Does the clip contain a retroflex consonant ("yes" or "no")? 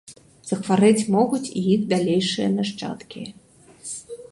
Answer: yes